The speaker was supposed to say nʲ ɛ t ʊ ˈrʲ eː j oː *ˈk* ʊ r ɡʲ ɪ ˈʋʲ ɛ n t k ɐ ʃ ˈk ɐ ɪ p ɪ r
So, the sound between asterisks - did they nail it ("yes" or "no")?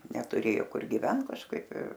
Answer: yes